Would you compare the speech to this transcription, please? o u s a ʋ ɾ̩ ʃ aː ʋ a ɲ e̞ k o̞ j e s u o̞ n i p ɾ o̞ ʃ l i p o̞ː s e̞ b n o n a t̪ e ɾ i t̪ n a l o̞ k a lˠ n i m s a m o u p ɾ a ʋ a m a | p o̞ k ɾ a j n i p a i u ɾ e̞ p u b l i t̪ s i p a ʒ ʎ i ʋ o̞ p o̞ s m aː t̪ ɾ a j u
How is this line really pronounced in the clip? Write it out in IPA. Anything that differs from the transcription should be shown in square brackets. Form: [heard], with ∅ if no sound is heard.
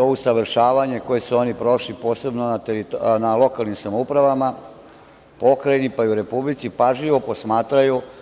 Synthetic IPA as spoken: o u s a ʋ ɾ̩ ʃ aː ʋ a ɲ e̞ k o̞ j e s u o̞ n i p ɾ o̞ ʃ l i p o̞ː s e̞ b n o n a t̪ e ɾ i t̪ n a l o̞ k a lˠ n i m s a m o u p ɾ a ʋ a m a | p o̞ k ɾ a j n i p a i u ɾ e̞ p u b l i t̪ s i p a ʒ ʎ i ʋ o̞ p o̞ s m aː t̪ ɾ a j u

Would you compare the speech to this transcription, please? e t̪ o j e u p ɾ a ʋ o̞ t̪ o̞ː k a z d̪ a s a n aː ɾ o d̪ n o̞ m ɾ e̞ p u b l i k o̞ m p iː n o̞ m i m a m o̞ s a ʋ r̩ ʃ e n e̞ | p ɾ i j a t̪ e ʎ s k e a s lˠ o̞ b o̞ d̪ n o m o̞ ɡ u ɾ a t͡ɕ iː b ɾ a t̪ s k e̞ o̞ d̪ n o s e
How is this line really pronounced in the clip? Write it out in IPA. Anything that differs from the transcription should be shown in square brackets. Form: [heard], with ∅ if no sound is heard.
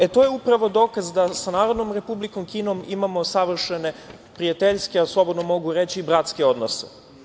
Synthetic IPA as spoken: e t̪ o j e u p ɾ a ʋ o̞ [d̪] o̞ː k a z d̪ a s a n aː ɾ o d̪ n o̞ m ɾ e̞ p u b l i k o̞ m [k] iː n o̞ m i m a m o̞ s a ʋ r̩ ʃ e n e̞ | p ɾ i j a t̪ e ʎ s k e a s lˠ o̞ b o̞ d̪ n o m o̞ ɡ u ɾ [e] t͡ɕ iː b ɾ a t̪ s k e̞ o̞ d̪ n o s e

